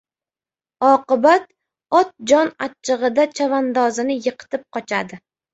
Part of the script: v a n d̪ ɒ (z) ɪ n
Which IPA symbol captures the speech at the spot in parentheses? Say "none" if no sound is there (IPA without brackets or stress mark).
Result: z